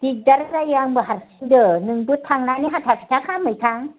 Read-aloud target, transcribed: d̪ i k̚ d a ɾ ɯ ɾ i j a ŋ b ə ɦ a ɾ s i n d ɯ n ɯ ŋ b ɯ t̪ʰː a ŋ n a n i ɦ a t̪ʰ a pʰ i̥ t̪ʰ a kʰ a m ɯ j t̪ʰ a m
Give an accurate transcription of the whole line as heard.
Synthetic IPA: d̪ i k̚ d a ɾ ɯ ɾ a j a ŋ b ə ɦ a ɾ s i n d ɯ n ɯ ŋ b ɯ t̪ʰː a ŋ n a n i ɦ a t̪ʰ a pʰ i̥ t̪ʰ a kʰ a m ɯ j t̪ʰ a ŋ